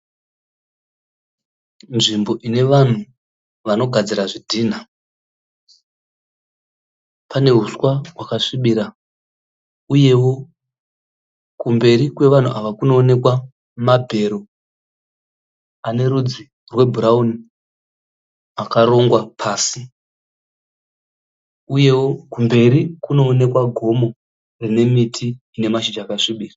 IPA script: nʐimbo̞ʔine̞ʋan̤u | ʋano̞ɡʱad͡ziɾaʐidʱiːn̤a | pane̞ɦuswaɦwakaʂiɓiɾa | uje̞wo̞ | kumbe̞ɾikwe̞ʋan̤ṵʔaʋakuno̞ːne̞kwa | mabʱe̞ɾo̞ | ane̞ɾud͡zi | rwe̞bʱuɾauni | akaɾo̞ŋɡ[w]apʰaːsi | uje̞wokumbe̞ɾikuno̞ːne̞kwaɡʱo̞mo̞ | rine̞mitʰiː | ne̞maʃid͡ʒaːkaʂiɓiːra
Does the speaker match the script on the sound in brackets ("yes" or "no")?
yes